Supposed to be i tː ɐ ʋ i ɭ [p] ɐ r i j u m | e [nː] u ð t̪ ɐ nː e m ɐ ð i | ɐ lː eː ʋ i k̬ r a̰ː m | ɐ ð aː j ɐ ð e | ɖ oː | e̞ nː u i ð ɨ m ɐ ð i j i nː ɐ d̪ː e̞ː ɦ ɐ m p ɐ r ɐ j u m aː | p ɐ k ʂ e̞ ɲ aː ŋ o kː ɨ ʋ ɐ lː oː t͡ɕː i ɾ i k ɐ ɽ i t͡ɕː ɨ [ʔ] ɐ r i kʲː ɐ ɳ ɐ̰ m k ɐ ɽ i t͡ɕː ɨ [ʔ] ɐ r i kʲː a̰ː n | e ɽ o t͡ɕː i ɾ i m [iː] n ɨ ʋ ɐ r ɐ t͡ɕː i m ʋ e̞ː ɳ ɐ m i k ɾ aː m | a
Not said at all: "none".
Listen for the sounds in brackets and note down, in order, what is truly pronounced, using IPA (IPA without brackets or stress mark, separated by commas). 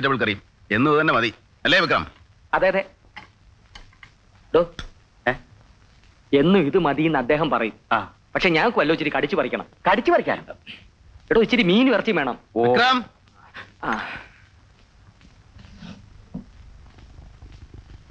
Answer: k, nː, p, p, iː